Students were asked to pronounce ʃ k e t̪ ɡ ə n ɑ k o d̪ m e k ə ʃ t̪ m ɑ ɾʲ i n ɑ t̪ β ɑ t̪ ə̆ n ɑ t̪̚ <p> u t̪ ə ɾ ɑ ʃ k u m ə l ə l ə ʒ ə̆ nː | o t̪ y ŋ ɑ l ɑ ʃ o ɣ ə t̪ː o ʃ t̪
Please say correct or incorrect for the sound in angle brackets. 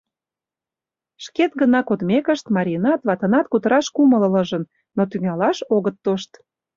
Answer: incorrect